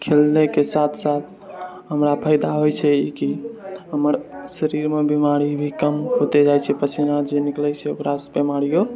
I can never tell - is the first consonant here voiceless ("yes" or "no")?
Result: yes